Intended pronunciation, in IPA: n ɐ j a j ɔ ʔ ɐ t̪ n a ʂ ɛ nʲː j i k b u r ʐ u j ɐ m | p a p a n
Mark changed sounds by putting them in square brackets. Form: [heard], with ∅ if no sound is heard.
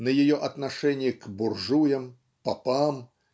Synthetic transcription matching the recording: n ɐ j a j ɔ ʔ ɐ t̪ n a ʂ ɛ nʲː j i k b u r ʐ u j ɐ m | p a p a [m]